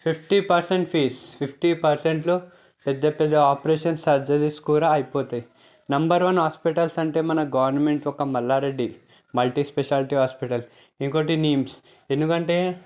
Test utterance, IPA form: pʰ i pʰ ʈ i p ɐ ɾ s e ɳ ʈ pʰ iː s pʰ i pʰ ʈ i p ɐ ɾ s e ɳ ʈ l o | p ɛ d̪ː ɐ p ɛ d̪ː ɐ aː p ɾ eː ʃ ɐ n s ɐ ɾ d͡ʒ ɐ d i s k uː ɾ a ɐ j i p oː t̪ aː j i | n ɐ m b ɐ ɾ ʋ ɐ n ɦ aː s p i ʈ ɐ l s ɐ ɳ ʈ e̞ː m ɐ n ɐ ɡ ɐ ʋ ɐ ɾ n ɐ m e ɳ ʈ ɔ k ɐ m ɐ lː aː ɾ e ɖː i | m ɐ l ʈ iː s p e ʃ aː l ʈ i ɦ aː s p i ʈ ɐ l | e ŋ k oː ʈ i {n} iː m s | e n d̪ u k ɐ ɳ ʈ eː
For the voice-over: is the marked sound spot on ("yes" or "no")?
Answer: yes